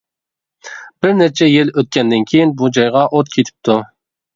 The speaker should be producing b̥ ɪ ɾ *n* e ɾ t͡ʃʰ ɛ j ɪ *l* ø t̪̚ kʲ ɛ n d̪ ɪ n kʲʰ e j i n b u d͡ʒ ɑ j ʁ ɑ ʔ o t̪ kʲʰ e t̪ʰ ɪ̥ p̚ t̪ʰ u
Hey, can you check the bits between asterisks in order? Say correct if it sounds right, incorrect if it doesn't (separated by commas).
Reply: correct, correct